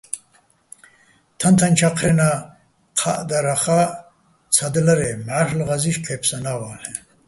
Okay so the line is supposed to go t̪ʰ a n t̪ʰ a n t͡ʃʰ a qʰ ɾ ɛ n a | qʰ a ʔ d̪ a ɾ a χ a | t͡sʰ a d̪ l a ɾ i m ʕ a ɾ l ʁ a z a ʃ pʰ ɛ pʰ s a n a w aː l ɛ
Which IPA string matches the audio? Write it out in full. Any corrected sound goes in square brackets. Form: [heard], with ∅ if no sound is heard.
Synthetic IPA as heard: t̪ʰ a n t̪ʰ a n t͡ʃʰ a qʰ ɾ ɛ n a | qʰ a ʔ d̪ a ɾ a χ a | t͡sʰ a d̪ l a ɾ [ɛ] m ʕ a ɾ l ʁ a z [i] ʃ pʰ ɛ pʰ s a n a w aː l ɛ